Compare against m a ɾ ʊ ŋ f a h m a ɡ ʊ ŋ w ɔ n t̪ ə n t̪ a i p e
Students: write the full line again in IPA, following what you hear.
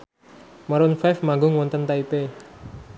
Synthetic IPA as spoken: m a ɾ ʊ n f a f m a ɡ ʊ ŋ w ɔ n t̪ ə n t̪ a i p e